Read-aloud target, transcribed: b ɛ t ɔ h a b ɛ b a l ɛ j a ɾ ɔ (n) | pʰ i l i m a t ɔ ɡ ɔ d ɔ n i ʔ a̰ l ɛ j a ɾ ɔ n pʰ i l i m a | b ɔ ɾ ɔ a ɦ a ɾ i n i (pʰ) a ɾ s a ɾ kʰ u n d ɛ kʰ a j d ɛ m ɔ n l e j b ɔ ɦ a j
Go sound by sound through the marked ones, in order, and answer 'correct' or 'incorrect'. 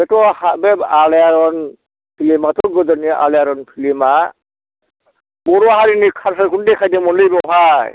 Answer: correct, incorrect: kʰ

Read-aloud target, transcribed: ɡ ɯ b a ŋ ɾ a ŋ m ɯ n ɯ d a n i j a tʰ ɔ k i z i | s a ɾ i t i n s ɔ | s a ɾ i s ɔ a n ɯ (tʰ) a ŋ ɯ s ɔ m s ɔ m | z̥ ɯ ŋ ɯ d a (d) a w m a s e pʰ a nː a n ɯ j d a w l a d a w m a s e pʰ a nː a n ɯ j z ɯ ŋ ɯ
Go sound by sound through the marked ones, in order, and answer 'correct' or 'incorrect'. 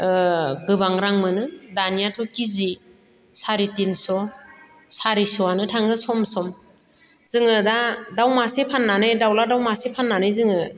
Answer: correct, correct

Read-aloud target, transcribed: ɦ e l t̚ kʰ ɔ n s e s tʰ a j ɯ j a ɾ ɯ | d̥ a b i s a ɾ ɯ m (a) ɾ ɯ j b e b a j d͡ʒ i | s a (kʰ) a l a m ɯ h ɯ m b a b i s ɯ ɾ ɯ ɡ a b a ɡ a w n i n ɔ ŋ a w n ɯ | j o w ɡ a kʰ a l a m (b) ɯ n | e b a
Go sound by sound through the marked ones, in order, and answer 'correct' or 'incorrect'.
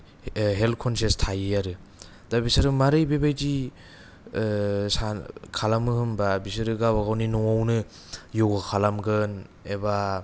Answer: correct, correct, incorrect: ɡ

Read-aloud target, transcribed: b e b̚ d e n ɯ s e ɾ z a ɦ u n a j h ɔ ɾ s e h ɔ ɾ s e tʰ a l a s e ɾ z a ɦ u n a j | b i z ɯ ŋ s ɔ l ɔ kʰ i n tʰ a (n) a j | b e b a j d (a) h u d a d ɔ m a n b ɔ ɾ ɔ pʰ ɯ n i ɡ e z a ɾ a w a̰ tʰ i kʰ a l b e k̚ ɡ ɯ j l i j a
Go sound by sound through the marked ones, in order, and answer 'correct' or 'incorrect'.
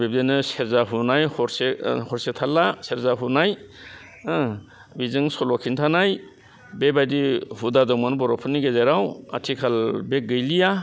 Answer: correct, incorrect: i

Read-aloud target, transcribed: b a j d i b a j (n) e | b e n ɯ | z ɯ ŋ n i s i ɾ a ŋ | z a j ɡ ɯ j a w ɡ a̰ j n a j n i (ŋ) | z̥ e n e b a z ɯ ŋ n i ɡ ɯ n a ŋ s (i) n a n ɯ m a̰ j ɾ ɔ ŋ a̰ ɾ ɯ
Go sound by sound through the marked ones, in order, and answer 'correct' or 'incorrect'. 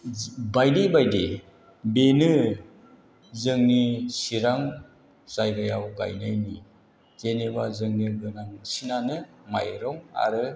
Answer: incorrect: d, incorrect: none, correct

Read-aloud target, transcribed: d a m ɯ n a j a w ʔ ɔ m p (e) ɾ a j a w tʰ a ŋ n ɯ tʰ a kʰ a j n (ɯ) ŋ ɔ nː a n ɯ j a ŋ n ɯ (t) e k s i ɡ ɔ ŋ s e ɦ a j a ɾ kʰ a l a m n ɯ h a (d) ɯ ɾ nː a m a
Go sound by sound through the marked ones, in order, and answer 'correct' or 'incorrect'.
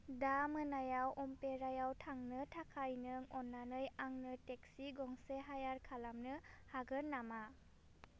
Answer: correct, correct, correct, incorrect: ɡ

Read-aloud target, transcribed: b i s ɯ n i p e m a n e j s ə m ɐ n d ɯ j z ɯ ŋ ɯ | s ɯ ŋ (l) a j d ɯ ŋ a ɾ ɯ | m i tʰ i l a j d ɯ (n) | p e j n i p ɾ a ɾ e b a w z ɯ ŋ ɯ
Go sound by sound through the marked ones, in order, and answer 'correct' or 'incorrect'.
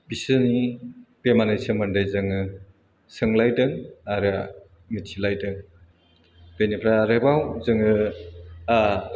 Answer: correct, incorrect: ŋ

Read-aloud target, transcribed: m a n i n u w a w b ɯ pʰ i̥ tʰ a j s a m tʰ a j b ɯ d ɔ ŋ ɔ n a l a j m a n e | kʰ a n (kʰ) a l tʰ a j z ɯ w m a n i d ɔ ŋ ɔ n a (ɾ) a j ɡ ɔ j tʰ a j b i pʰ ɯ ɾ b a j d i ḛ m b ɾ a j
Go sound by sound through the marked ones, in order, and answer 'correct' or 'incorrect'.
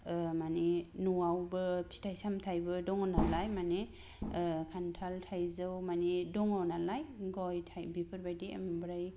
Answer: incorrect: tʰ, incorrect: l

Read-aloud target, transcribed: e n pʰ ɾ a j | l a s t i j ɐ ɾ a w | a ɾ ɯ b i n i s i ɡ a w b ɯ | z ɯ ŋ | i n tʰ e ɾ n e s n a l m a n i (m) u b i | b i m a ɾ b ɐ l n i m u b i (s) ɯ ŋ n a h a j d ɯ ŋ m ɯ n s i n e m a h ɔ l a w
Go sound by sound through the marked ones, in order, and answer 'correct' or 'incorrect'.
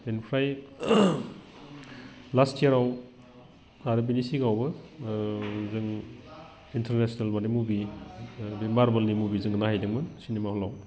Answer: correct, incorrect: z

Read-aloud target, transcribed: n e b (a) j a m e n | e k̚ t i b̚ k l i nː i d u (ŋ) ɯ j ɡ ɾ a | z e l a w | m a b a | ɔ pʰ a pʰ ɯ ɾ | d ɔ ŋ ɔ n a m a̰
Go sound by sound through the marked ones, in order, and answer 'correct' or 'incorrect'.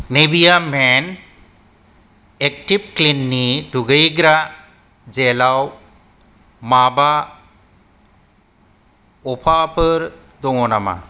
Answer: incorrect: i, incorrect: ɡ

